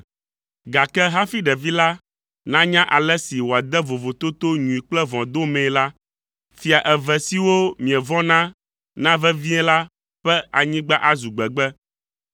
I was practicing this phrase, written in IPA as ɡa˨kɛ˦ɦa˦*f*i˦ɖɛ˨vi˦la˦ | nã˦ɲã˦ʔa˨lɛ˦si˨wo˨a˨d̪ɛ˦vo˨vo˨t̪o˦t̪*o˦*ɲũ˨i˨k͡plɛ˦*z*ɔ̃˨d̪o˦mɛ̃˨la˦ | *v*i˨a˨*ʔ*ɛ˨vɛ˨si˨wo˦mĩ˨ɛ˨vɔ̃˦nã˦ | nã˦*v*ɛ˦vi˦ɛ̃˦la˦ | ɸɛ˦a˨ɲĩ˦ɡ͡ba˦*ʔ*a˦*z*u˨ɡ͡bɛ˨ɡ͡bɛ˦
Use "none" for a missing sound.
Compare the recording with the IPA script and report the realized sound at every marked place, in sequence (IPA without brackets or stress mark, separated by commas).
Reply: f, o˦, v, f, ʔ, v, ʔ, z